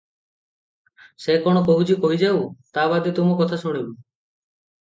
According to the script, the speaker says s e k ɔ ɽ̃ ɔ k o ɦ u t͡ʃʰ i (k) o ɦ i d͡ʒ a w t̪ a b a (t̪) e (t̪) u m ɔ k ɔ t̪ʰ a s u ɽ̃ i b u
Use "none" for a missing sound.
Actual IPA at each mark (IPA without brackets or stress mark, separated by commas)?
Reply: k, d̪, t̪